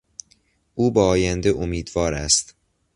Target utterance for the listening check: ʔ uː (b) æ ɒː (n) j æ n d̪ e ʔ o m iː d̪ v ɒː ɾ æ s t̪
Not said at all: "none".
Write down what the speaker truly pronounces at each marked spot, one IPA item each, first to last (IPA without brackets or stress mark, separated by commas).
b, none